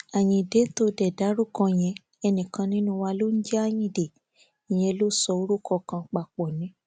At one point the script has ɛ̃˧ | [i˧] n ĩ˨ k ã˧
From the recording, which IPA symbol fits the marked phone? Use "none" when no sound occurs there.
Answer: ɛ˧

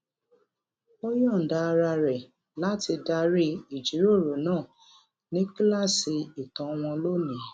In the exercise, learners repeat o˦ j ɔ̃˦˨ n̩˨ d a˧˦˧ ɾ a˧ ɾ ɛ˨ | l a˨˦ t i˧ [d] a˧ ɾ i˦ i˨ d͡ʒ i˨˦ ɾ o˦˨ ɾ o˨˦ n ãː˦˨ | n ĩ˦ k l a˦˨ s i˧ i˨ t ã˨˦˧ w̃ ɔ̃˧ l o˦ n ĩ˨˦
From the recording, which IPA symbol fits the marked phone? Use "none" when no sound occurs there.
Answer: d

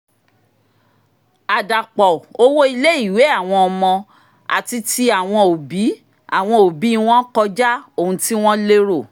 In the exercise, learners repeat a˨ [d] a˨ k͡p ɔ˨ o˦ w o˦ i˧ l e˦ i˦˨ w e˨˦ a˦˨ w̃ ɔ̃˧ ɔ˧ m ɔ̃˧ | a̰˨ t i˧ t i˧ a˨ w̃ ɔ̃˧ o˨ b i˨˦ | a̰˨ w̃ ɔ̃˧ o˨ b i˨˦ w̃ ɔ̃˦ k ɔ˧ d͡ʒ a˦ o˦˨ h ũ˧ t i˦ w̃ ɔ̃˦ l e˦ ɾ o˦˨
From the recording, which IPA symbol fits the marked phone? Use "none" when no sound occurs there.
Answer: d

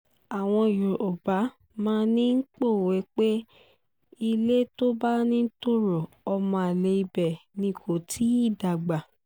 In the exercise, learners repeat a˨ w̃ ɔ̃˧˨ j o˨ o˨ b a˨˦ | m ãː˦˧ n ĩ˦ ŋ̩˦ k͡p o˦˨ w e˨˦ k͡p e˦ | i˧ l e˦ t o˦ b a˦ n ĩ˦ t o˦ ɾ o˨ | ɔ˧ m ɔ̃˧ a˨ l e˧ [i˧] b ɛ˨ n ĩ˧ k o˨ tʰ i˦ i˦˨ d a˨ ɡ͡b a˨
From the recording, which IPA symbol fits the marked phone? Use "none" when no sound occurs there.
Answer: i˧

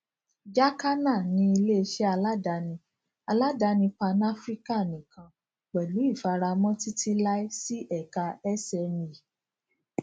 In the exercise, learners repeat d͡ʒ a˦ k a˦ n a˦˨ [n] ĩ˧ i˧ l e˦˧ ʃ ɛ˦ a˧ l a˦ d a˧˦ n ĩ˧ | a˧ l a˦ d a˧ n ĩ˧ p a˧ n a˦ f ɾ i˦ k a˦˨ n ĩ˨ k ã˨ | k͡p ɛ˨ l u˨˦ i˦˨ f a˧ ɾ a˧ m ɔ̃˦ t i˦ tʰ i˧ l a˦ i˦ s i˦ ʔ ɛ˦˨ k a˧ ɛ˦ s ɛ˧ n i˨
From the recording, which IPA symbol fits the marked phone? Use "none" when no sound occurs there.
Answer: n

